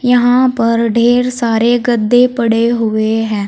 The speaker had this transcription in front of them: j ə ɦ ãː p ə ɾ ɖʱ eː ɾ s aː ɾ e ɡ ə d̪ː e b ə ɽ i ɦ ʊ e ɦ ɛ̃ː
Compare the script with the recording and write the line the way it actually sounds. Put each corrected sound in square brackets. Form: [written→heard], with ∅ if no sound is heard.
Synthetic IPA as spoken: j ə ɦ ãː p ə ɾ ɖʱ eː ɾ s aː ɾ e ɡ ə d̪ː e [b→p] ə ɽ [i→e] ɦ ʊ e ɦ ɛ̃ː